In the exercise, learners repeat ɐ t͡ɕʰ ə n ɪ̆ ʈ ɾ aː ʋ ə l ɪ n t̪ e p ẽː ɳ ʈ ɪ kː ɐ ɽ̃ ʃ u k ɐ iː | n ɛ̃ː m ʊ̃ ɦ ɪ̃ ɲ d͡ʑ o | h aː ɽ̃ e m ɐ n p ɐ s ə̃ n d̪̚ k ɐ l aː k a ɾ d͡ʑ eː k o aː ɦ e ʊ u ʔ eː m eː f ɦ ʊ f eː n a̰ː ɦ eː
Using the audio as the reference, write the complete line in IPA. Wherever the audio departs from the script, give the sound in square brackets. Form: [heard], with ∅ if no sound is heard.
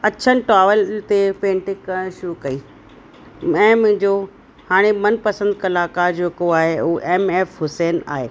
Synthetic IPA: ɐ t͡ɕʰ ə n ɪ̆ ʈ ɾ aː ʋ ə l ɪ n t̪ e p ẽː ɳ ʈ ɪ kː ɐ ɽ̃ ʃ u k ɐ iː | [m] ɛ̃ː m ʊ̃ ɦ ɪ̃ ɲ d͡ʑ o | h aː ɽ̃ e m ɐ n p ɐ s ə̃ n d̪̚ k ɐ l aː k a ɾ d͡ʑ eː k o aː ɦ e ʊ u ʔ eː m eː f ɦ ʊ [s] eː n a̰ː ɦ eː